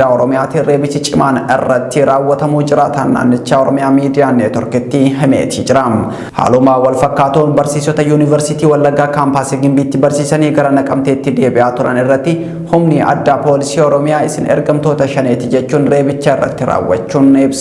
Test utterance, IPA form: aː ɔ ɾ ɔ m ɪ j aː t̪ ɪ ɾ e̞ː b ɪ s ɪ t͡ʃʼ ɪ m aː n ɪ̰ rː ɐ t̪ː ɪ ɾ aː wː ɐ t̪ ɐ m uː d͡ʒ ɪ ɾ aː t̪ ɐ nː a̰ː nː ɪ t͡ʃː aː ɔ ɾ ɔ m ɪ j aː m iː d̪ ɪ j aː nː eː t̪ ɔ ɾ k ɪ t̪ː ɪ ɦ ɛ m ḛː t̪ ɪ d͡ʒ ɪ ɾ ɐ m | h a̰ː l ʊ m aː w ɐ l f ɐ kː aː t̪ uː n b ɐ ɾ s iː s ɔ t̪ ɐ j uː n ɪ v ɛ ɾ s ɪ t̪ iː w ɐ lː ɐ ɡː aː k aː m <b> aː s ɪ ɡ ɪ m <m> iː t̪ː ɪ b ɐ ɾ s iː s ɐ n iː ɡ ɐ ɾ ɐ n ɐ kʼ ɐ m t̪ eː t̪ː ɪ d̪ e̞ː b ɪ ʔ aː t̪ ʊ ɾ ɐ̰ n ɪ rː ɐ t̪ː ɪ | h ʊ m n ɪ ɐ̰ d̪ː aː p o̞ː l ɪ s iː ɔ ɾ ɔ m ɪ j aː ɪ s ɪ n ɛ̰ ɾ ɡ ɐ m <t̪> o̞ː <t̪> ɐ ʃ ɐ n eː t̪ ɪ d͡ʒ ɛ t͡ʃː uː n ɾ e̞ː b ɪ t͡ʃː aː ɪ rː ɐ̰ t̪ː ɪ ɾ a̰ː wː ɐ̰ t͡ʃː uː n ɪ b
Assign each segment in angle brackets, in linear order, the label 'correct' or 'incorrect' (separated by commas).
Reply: incorrect, incorrect, correct, correct